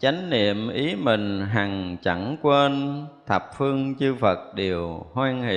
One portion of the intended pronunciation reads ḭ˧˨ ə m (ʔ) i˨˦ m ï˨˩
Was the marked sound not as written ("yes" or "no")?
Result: no